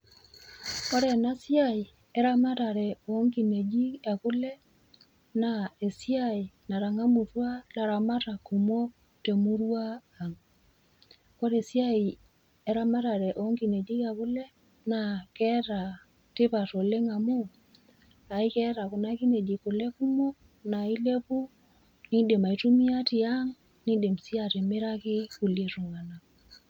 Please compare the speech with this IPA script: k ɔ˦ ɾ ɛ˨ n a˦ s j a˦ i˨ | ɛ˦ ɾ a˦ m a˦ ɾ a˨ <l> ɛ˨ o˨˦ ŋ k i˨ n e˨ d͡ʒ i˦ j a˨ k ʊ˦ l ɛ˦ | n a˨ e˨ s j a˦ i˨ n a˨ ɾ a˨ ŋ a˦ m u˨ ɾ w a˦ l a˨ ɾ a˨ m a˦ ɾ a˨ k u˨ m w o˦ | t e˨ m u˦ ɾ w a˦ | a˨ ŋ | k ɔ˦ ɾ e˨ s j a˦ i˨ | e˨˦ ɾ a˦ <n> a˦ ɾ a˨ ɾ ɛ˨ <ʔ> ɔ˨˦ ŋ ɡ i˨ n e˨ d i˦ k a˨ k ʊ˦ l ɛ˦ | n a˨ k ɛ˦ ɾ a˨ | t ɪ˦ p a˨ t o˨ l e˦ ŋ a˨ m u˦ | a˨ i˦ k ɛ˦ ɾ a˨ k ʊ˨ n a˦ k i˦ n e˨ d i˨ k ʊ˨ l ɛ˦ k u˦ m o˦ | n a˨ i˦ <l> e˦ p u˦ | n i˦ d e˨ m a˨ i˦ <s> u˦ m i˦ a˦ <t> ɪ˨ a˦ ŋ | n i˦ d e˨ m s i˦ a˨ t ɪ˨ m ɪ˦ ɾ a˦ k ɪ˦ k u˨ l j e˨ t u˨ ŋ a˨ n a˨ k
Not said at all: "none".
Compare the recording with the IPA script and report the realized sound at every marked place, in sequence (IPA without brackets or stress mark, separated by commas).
ɾ, m, ʔ, l, t, t